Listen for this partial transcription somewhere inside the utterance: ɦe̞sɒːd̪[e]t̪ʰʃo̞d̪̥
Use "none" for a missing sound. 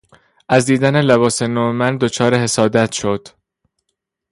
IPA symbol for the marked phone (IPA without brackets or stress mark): æ